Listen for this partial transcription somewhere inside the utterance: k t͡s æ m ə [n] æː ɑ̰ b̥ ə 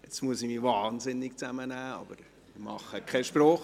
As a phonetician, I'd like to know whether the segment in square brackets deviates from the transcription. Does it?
no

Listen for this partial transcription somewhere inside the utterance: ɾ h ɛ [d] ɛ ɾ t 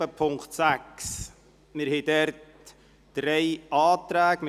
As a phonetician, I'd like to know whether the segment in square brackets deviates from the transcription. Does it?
no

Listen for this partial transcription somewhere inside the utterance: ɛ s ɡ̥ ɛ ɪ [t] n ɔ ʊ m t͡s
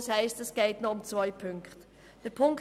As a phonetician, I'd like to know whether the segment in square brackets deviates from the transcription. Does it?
no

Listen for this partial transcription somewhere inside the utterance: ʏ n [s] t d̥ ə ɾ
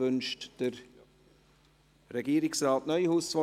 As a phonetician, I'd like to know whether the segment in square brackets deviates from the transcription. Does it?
yes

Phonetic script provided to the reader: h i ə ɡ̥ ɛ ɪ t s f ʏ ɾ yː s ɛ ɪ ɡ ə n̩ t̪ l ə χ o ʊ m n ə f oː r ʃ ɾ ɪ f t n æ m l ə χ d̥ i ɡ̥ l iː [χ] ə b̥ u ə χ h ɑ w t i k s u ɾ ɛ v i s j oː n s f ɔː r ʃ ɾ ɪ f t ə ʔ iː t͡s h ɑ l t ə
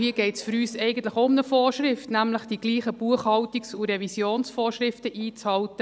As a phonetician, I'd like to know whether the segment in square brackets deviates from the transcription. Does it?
no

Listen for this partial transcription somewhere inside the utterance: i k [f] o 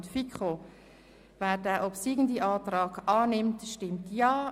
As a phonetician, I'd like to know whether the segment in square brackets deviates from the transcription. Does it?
yes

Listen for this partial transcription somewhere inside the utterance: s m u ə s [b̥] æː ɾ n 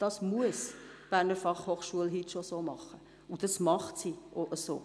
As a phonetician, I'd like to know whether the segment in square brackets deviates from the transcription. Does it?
no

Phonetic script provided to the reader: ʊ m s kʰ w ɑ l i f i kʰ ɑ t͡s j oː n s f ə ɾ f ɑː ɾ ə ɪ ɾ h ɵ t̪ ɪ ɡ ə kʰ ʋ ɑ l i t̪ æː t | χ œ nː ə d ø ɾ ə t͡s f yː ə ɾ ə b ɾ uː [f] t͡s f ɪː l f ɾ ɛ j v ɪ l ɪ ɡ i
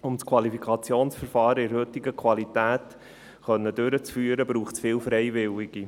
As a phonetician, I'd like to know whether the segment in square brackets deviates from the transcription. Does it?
yes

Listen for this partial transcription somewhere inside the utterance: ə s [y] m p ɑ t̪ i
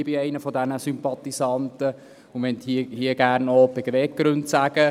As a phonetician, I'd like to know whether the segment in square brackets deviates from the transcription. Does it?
no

